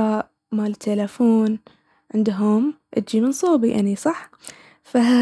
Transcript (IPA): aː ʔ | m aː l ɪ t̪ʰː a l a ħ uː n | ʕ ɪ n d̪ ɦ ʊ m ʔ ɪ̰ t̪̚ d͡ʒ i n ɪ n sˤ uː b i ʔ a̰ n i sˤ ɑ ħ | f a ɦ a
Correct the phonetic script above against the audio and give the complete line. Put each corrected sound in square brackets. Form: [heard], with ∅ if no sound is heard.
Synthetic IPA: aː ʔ | m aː l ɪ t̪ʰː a l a [f] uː n | ʕ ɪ n d̪ ɦ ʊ m ʔ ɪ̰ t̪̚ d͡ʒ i [m] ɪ n sˤ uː b i ʔ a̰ n i sˤ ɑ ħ | f a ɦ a